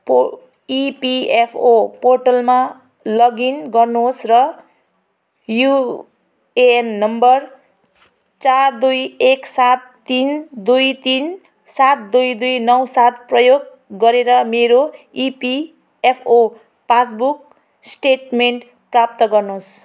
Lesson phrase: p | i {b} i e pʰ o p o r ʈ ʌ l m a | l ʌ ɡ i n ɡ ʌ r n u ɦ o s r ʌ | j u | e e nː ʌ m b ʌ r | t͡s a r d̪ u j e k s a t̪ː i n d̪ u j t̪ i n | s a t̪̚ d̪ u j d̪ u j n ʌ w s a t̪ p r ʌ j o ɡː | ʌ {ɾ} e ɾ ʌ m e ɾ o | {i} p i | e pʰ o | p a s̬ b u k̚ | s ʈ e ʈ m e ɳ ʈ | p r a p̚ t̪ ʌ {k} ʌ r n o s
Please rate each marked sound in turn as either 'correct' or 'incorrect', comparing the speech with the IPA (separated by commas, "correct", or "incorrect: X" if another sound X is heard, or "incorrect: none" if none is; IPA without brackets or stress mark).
incorrect: p, correct, correct, incorrect: ɡ